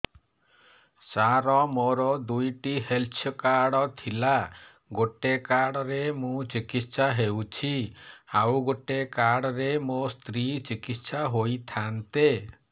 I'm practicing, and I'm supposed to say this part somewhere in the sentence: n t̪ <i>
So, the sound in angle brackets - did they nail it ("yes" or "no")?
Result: no